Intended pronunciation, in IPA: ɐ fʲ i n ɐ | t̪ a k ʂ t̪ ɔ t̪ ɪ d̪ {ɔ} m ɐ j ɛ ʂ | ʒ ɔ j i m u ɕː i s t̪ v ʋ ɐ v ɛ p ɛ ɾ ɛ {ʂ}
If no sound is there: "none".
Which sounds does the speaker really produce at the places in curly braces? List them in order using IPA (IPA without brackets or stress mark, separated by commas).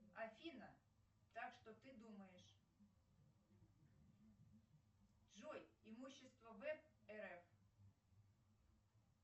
u, f